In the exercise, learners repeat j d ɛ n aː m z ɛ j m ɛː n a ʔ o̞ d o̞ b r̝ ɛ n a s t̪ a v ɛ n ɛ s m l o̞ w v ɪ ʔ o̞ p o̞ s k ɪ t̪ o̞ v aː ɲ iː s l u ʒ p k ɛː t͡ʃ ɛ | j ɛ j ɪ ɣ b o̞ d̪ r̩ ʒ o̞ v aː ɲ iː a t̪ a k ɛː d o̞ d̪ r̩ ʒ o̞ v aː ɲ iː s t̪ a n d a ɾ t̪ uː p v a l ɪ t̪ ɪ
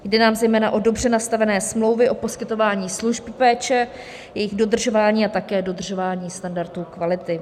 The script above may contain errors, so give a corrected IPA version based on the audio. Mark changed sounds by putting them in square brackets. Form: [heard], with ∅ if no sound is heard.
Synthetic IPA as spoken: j d ɛ n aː m z ɛ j m ɛː n a ʔ o̞ d o̞ b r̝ ɛ n a s t̪ a v ɛ n [ɛː] s m l o̞ w v ɪ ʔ o̞ p o̞ s k ɪ t̪ o̞ v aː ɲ iː s l u ʒ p [p] ɛː t͡ʃ ɛ | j ɛ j ɪ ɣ [d] o̞ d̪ r̩ ʒ o̞ v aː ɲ iː a t̪ a k ɛː d o̞ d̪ r̩ ʒ o̞ v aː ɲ iː s t̪ a n d a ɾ t̪ uː [k] v a l ɪ t̪ ɪ